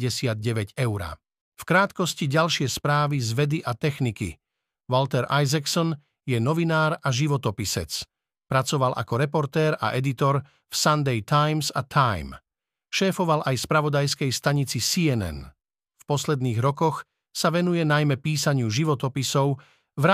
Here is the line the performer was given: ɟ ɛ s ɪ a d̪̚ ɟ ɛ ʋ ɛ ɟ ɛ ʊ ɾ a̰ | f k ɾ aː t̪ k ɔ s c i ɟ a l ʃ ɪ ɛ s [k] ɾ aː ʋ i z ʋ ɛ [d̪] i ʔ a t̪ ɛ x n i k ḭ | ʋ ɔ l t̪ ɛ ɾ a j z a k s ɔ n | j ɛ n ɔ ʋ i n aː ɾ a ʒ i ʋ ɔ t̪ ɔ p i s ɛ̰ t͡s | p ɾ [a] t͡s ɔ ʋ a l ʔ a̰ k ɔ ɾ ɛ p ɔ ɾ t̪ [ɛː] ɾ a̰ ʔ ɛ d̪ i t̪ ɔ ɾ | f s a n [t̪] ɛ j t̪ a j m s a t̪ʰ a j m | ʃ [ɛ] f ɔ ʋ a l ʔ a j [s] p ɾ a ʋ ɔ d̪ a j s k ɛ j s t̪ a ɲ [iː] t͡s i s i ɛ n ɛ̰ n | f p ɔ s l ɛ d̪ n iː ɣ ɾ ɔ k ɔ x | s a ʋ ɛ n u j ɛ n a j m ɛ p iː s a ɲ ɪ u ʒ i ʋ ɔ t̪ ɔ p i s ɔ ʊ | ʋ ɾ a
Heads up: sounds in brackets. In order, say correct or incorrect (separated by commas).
incorrect, correct, correct, correct, incorrect, incorrect, correct, incorrect